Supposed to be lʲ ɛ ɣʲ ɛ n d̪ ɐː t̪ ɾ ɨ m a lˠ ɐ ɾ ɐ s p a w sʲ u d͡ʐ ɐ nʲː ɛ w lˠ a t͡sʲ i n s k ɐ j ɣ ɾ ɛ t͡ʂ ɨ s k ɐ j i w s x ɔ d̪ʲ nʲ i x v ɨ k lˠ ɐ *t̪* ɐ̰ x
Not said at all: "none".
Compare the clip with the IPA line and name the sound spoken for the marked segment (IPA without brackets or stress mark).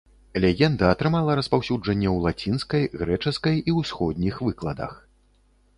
d̪